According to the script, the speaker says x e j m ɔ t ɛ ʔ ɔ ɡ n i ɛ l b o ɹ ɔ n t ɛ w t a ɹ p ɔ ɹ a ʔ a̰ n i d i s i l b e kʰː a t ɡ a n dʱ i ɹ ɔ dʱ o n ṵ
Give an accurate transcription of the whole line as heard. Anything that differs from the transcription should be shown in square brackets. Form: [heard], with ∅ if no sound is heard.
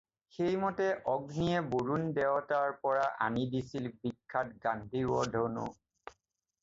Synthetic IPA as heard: x e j m ɔ t ɛ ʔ ɔ ɡ n i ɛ [∅] b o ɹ [u] n [d] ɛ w t a ɹ p ɔ ɹ a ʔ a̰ n i d i s i l b [i] kʰː a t ɡ a n dʱ i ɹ ɔ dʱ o n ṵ